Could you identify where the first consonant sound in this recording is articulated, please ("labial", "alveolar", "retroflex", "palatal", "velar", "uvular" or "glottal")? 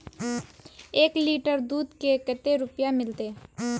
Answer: velar